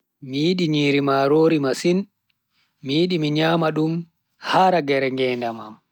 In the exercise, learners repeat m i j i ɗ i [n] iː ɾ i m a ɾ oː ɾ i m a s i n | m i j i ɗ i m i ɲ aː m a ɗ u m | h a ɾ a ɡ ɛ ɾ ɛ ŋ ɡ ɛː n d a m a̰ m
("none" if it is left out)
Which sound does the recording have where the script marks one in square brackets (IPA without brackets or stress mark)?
ɲ